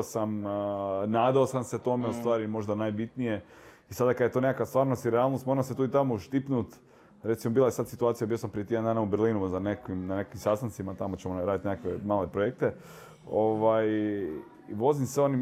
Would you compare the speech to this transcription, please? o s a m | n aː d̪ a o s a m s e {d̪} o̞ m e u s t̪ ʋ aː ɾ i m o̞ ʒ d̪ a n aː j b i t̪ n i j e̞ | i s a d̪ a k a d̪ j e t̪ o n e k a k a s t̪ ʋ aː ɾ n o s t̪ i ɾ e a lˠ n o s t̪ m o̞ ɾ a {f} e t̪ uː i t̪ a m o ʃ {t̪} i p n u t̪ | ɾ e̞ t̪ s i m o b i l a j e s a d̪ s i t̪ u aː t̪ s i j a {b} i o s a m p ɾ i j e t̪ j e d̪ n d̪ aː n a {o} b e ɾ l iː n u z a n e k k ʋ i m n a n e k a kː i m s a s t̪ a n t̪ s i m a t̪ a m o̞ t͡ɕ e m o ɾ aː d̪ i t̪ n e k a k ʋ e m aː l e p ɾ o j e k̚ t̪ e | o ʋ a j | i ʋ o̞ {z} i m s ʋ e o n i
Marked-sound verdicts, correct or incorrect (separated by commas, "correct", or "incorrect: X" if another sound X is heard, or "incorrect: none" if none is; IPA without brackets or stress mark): incorrect: t̪, incorrect: s, correct, correct, incorrect: u, correct